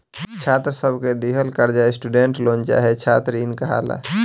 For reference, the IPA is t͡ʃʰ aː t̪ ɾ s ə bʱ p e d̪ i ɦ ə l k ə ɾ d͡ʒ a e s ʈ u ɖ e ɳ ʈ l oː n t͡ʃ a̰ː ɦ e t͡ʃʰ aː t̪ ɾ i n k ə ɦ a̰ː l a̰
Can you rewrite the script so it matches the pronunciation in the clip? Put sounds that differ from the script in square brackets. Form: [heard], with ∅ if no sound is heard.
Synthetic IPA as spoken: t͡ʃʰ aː t̪ ɾ s ə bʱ [k] e d̪ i ɦ ə l k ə ɾ d͡ʒ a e s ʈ u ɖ e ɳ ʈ l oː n t͡ʃ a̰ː ɦ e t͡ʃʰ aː t̪ ɾ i n k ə ɦ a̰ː l a̰

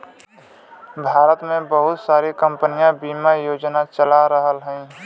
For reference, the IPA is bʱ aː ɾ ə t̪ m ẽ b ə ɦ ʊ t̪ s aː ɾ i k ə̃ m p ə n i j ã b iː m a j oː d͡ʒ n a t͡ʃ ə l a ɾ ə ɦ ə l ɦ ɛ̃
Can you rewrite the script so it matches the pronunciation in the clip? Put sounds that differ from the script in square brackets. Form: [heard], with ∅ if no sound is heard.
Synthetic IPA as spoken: bʱ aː ɾ ə t̪ m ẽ b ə ɦ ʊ t̪ s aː ɾ i k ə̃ m p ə n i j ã b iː m a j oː d͡ʒ n a t͡ʃ ə l a ɾ ə ɦ ə l ɦ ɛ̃

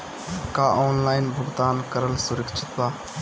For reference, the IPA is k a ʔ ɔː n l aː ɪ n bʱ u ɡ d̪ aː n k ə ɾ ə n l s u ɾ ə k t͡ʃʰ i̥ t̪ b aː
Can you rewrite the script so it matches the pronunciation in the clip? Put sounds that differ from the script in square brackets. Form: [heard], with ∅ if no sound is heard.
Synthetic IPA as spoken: k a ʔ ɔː n l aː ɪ n bʱ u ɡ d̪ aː n k ə ɾ ə [∅] l s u ɾ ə k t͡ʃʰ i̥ t̪ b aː

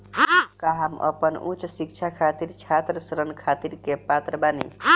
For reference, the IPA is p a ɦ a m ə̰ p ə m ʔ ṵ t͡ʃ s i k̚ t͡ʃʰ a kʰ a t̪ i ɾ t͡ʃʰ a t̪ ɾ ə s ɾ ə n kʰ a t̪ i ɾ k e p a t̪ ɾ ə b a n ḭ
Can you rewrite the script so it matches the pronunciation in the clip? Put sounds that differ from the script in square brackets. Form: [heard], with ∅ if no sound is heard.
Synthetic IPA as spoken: [k] a ɦ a m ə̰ p ə [n] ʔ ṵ t͡ʃ s i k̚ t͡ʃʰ a kʰ a t̪ i ɾ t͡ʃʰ a t̪ ɾ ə s ɾ ə n kʰ a t̪ i ɾ k e p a t̪ ɾ ə b a n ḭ

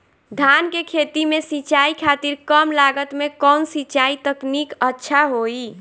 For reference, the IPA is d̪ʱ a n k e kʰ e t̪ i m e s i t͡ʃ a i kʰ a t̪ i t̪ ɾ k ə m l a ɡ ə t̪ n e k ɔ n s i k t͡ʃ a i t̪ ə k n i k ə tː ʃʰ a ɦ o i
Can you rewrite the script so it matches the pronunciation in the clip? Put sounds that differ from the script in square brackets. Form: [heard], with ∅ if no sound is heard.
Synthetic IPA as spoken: d̪ʱ a n k e kʰ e t̪ i m e s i t͡ʃ a i kʰ a t̪ i [∅] ɾ k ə m l a ɡ ə t̪ [m] e k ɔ n s i [∅] t͡ʃ a i t̪ ə k n i k ə tː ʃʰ a ɦ o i

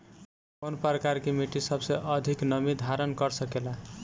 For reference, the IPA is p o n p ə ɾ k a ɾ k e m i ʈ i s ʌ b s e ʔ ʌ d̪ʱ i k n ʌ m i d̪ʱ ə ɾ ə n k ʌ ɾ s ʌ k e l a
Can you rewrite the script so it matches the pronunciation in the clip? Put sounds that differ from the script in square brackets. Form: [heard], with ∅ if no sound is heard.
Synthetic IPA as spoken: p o n p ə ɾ k a ɾ k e m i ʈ i s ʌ b s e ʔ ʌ d̪ʱ i k n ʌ m i d̪ʱ [a] ɾ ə n k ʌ ɾ s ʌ k e l a

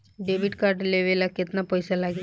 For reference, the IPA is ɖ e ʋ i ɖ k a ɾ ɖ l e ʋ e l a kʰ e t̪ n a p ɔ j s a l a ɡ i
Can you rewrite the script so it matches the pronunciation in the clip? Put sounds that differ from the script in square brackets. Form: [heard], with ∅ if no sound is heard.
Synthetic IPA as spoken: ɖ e ʋ i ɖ k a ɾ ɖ l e ʋ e l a [k] e t̪ n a p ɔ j s a l a ɡ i

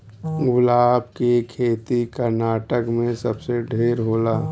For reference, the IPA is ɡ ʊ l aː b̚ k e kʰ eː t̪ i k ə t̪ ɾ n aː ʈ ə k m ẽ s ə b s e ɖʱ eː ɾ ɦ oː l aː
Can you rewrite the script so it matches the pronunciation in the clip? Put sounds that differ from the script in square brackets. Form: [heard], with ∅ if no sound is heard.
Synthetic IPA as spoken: ɡ ʊ l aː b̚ k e kʰ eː t̪ i k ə [∅] ɾ n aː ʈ ə k m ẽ s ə b s e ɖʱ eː ɾ ɦ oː l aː

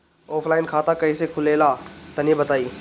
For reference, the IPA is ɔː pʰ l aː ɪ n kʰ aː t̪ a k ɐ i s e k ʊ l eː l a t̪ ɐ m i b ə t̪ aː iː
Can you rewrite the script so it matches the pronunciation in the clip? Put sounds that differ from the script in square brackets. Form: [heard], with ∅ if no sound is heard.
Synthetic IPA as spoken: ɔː pʰ l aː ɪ n kʰ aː t̪ a k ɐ i s e [kʰ] ʊ l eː l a t̪ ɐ [n] i b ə t̪ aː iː

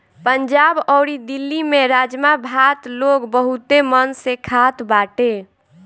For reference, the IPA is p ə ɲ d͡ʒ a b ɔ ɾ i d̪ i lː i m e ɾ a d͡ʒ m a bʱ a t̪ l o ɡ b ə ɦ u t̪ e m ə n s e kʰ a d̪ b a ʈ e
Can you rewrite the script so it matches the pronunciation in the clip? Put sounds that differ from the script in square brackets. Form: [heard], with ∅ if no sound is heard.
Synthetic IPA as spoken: p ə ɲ d͡ʒ a b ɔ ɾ i d̪ i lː i m e ɾ a d͡ʒ m a bʱ a t̪ l o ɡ b ə ɦ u t̪ e m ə n s e kʰ a [t̪] b a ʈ e

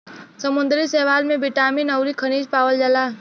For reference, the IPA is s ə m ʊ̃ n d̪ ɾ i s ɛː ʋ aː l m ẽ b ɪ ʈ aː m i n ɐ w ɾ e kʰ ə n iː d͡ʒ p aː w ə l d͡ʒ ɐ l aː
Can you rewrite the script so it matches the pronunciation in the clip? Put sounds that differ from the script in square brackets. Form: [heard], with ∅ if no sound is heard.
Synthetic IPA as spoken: s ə m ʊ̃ n d̪ ɾ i s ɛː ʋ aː l m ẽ b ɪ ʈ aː m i n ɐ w ɾ [i] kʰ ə n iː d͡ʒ p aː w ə l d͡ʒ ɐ l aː

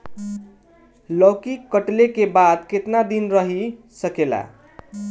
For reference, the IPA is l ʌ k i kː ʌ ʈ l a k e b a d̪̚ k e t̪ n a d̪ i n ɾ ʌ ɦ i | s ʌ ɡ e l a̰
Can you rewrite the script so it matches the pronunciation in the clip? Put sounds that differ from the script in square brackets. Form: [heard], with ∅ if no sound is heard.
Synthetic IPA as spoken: l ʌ k i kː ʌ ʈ l [e] k e b a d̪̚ k e t̪ n a d̪ i n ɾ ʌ ɦ i | s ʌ [k] e l a̰

